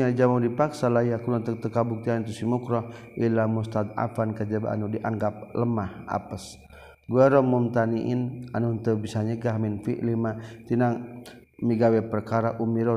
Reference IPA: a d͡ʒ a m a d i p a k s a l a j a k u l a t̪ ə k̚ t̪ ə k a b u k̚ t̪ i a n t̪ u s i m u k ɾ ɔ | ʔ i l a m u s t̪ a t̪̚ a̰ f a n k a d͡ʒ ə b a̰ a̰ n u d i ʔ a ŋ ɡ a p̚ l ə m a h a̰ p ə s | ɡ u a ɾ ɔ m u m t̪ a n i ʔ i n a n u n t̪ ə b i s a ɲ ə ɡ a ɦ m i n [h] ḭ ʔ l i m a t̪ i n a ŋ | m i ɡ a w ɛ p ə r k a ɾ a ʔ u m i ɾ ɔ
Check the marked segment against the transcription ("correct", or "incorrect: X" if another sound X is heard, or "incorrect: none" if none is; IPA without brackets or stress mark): incorrect: f